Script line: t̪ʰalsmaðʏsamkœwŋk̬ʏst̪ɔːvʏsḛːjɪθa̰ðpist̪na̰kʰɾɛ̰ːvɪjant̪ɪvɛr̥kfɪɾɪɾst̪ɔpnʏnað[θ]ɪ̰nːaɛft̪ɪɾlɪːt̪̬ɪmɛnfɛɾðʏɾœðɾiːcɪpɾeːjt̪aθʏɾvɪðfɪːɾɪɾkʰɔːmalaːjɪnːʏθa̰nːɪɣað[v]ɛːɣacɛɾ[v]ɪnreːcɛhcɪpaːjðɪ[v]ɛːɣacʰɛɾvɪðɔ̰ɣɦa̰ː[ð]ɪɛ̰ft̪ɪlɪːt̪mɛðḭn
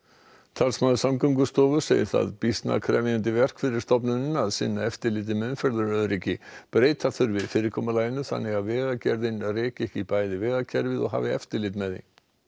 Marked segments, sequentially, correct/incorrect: incorrect, correct, incorrect, correct, incorrect

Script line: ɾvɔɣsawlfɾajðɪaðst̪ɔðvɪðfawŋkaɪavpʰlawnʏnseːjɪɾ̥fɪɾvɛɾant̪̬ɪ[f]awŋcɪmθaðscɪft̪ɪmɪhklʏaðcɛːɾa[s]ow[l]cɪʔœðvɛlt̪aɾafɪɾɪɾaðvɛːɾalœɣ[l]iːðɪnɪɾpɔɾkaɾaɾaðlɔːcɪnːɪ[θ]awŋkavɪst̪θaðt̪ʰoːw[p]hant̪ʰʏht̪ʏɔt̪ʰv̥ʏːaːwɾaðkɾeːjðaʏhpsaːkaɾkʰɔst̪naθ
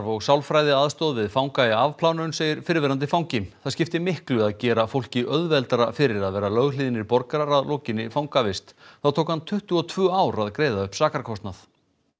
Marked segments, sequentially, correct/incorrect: correct, incorrect, correct, correct, incorrect, incorrect

